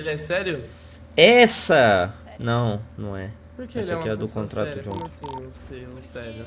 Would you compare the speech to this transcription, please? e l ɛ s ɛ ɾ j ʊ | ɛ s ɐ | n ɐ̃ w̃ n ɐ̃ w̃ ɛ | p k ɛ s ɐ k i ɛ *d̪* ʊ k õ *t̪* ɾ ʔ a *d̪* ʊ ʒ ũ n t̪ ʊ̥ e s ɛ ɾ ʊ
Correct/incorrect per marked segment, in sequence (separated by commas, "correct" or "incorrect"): correct, correct, incorrect